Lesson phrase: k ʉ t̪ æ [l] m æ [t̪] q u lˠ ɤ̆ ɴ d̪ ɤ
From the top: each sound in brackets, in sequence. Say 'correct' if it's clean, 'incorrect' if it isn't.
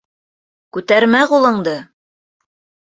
incorrect, incorrect

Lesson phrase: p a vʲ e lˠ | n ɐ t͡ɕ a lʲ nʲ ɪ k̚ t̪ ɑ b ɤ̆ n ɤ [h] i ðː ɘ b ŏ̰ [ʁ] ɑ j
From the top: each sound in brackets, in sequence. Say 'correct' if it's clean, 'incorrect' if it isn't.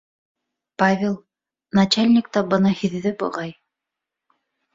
correct, correct

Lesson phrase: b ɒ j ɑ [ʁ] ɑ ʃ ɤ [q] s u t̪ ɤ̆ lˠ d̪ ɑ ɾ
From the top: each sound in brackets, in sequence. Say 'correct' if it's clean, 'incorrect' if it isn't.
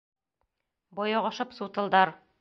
correct, incorrect

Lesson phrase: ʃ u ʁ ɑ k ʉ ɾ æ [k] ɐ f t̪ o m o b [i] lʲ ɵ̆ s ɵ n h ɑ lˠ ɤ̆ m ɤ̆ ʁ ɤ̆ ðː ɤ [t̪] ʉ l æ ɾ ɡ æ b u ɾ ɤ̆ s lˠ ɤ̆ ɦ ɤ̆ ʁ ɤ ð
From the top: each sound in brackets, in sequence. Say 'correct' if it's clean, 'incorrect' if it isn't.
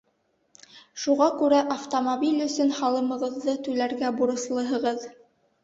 incorrect, correct, correct

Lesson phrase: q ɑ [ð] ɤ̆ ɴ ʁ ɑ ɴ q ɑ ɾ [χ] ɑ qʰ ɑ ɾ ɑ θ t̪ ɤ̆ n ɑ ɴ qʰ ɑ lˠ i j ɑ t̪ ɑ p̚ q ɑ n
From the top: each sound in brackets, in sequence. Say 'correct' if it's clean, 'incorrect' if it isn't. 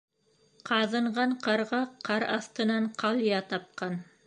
correct, incorrect

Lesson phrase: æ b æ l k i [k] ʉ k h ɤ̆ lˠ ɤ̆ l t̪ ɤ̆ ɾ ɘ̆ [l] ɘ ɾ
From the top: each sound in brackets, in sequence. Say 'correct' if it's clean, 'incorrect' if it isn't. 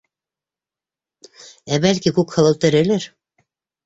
correct, correct

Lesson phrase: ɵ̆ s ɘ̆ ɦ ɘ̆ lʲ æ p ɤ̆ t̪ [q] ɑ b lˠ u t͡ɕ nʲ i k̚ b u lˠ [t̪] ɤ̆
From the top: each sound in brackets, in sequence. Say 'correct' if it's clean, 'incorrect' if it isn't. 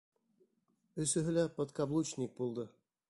incorrect, incorrect

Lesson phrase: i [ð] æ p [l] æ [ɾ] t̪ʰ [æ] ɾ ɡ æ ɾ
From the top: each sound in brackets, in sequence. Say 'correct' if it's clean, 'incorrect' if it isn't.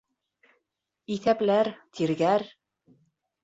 incorrect, correct, correct, incorrect

